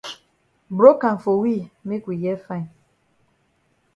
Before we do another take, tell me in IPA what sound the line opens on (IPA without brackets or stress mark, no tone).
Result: b